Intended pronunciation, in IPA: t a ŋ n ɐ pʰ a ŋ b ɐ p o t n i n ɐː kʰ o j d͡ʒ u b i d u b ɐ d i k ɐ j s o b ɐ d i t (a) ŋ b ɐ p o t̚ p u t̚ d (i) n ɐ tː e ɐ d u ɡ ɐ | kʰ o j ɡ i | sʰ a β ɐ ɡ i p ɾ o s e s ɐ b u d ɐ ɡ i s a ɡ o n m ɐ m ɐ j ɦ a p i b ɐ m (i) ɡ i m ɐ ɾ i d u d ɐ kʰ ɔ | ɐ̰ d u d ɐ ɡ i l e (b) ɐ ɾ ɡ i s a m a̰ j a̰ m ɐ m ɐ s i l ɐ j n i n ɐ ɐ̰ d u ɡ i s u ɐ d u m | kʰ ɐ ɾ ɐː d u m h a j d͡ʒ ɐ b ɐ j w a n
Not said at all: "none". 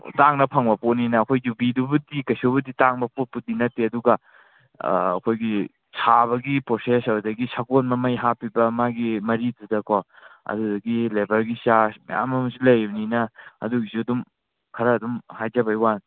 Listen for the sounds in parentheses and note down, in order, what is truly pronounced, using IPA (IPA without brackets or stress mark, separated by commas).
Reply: a, i, a, b